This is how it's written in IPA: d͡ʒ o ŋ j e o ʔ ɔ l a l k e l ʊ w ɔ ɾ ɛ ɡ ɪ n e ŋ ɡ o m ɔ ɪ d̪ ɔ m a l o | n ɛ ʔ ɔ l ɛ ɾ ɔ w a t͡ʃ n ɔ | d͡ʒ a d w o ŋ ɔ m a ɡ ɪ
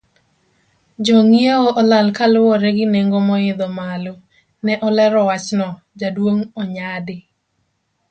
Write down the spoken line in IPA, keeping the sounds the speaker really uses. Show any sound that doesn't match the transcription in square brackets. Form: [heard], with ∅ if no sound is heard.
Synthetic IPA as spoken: d͡ʒ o ŋ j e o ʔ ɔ l a l k [a] l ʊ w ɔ ɾ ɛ ɡ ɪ n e ŋ ɡ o m ɔ ɪ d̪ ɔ m a l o | n ɛ ʔ ɔ l ɛ ɾ ɔ w a t͡ʃ n ɔ | d͡ʒ a d w o ŋ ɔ [ɲ] a [d] ɪ